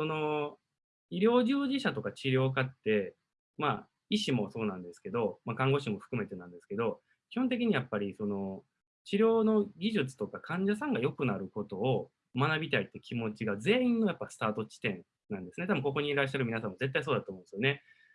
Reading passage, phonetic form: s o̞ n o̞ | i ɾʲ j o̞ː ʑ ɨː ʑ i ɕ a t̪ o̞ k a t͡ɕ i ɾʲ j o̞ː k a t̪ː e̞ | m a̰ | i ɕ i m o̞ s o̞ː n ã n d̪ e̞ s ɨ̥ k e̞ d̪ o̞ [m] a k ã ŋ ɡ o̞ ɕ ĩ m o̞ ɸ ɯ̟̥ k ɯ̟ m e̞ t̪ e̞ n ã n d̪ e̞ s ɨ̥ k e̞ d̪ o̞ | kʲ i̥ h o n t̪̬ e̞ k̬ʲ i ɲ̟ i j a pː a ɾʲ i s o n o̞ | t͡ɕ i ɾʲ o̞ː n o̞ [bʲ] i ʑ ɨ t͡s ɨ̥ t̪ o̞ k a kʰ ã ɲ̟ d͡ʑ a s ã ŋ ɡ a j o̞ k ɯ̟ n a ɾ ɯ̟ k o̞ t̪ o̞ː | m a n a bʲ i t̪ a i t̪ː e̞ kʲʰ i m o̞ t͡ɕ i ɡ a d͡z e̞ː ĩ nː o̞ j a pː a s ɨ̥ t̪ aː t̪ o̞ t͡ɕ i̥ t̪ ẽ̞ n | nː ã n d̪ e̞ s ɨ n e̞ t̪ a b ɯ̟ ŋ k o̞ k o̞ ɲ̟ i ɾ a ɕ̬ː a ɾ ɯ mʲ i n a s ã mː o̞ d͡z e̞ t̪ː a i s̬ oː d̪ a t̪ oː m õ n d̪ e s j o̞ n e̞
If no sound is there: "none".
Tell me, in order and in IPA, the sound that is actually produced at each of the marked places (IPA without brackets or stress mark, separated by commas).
m, ɡʲ